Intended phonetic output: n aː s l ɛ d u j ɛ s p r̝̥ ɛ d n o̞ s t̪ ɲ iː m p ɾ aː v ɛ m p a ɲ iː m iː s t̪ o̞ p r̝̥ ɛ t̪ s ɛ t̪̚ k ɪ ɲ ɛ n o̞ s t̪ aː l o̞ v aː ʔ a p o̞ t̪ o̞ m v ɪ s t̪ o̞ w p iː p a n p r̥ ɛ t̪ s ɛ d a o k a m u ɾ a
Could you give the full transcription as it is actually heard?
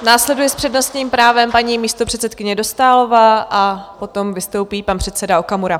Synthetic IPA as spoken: n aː s l ɛ d u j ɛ s p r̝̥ ɛ d n o̞ s t̪ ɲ iː m p ɾ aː v ɛ m p a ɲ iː m iː s t̪ o̞ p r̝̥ ɛ t̪ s ɛ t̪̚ k ɪ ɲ ɛ d o̞ s t̪ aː l o̞ v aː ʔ a p o̞ t̪ o̞ m v ɪ s t̪ o̞ w p iː p a n p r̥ ɛ t̪ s ɛ d a o k a m u ɾ a